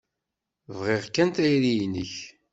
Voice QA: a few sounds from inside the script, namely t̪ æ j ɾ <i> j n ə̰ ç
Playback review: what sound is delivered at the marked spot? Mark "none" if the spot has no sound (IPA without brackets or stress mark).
i